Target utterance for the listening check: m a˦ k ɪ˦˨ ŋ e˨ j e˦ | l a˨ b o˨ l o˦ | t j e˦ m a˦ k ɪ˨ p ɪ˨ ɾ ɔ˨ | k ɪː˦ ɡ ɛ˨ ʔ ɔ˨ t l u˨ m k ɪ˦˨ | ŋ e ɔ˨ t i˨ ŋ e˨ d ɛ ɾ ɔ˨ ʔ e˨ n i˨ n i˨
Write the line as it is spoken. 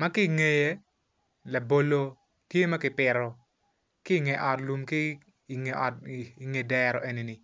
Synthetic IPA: m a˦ k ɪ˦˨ ŋ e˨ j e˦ | l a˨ b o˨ l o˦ | t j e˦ m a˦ k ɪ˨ p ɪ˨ ɾ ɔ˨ | k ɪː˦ ŋ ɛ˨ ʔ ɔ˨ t l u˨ m k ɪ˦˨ | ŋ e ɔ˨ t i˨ ŋ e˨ d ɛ ɾ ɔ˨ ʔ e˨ n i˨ n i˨

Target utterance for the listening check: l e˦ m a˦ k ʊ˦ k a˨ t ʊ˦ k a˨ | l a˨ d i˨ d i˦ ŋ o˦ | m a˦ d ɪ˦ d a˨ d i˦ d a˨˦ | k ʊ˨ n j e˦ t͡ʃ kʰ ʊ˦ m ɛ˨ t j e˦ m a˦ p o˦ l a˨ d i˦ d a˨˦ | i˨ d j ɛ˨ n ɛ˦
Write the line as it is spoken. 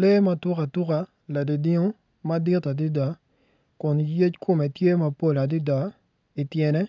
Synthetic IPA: l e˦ m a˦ t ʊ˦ k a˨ t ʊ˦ k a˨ | l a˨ d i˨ d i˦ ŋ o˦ | m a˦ d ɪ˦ t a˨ d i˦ d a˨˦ | k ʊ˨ n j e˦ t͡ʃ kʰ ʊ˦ m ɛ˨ t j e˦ m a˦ p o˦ l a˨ d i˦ d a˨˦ | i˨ t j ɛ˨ n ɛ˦

